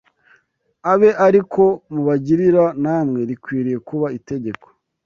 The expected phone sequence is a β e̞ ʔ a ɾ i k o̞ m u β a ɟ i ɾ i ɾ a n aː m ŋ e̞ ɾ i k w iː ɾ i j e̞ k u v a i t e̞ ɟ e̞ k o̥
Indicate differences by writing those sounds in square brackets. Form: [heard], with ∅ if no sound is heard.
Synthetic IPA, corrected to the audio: a β e̞ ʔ a ɾ i k o̞ m u β a ɟ i ɾ i ɾ a n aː m ŋ e̞ ɾ i k w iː ɾ i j e̞ k u [β] a i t e̞ ɟ e̞ k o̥